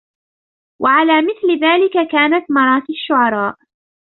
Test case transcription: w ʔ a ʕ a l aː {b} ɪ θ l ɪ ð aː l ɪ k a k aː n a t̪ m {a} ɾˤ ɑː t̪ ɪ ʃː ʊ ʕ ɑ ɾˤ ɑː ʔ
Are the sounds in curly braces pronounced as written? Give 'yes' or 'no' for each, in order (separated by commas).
no, no